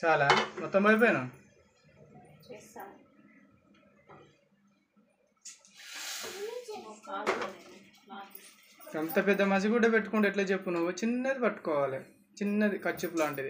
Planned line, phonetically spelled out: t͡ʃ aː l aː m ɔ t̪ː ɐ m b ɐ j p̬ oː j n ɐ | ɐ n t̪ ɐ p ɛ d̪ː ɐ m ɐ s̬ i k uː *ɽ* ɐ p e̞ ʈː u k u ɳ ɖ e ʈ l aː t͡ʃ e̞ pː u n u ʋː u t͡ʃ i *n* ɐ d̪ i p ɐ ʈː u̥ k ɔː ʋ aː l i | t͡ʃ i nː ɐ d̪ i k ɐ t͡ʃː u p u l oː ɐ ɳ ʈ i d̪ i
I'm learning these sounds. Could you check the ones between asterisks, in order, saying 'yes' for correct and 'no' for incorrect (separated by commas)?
yes, no